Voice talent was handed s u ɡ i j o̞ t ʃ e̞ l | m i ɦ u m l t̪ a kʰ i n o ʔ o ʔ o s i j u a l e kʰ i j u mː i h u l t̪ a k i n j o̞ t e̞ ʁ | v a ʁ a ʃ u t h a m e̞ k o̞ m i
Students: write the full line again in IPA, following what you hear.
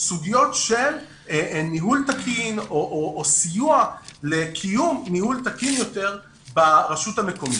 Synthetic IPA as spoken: s u ɡ i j o̞ t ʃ e̞ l | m i ɦ u l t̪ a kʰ i n o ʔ o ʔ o s i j u a l e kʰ i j u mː i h u l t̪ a k i n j o̞ t e̞ ʁ | b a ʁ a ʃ u t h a m e̞ k o̞ m i